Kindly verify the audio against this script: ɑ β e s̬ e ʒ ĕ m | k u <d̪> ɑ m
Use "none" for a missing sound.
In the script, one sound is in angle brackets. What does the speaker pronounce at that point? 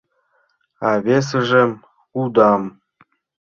d̪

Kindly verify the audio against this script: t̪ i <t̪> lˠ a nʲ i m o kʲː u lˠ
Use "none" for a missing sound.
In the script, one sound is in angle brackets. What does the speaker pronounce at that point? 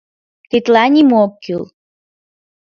t̪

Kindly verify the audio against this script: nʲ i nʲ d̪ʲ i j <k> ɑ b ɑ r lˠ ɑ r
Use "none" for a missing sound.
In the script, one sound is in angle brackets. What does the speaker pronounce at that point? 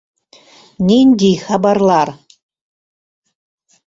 x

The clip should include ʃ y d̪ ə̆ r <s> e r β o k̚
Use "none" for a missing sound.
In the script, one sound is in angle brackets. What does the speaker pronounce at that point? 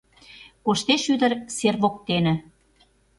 s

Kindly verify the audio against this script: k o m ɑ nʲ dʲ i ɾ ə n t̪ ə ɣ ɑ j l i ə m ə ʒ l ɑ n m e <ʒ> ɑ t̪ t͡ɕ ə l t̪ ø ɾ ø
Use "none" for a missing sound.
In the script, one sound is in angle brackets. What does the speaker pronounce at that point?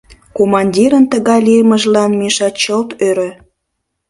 ʃ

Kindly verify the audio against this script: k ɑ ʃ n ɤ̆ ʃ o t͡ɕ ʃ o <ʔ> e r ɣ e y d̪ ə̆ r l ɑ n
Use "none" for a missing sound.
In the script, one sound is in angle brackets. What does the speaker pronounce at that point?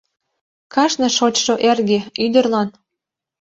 ʔ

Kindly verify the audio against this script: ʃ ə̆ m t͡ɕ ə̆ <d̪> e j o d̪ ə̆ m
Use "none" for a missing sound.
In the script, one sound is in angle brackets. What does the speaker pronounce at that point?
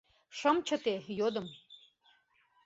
t̪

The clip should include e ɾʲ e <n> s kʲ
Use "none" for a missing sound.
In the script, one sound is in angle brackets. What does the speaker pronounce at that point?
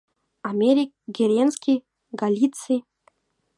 n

